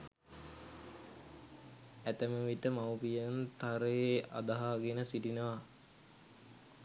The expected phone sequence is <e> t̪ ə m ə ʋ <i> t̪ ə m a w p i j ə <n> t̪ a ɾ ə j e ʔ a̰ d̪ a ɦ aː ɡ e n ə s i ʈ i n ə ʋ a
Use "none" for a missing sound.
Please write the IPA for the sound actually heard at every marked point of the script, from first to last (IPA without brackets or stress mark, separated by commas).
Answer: æ, i, n